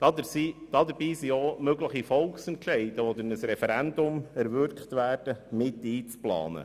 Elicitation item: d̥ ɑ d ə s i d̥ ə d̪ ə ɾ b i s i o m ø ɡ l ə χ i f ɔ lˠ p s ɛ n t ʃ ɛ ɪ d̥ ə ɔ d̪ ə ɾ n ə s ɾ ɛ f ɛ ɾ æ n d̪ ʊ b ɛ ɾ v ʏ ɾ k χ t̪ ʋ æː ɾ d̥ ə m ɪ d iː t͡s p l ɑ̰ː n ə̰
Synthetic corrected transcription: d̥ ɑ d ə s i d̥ ɑ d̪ ə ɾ b iː s i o m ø ɡ l ə χ i f ɔ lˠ k s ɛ n t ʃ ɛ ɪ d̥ ə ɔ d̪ ə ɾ n ə s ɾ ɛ f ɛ ɾ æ n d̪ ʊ m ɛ ɾ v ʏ ɾ k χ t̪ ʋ æː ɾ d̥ ə m ɪ t iː t͡s p l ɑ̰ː n ə̰